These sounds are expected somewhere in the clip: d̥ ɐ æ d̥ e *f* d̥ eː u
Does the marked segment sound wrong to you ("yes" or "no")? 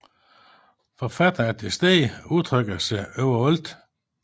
yes